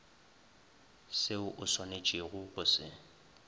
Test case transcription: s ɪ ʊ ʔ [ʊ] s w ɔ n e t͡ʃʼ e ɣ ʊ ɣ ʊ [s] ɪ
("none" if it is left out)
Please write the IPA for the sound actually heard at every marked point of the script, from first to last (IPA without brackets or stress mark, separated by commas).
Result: ʊ, s